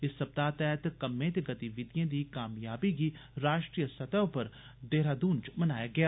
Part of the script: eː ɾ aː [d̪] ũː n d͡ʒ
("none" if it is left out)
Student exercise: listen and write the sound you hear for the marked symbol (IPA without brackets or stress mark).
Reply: d̪